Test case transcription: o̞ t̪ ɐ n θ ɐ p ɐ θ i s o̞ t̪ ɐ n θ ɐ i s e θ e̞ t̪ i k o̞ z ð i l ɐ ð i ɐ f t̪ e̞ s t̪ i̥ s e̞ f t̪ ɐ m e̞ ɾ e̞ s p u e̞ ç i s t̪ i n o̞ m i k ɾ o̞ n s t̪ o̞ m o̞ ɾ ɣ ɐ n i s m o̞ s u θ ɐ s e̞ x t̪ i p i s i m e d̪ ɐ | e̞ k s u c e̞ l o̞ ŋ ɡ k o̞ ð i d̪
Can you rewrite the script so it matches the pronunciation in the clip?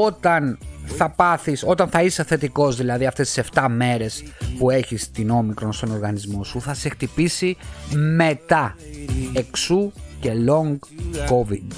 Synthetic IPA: o̞ t̪ ɐ n θ ɐ p ɐ θ i s o̞ t̪ ɐ n θ ɐ i s e θ e̞ t̪ i k o̞ z ð i l ɐ ð i ɐ f t̪ e̞ s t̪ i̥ s e̞ f t̪ ɐ m e̞ ɾ e̞ s p u e̞ ç i s t̪ i n o̞ m i k ɾ o̞ n s t̪ o̞ n o̞ ɾ ɣ ɐ n i z m o̞ s u θ ɐ s e̞ x t̪ i p i s i m e t̪ ɐ | e̞ k s u c e̞ l o̞ ŋ ɡ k o̞ v i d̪